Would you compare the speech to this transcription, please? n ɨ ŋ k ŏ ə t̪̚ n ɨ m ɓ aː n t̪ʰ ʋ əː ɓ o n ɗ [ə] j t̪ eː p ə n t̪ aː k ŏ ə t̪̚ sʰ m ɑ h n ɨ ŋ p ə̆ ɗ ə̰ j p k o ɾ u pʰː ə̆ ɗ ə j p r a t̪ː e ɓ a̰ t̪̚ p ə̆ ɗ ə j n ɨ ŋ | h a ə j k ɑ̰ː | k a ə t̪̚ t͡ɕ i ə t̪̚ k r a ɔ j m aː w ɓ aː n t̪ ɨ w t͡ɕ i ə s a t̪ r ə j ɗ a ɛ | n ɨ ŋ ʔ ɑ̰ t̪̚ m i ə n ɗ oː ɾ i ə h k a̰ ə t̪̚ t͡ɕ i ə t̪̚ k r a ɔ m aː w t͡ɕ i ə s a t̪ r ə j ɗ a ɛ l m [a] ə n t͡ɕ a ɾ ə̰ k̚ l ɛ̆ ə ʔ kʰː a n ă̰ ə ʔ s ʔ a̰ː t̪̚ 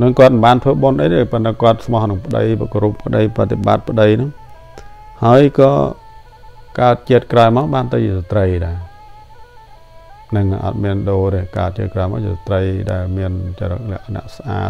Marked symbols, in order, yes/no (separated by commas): yes, no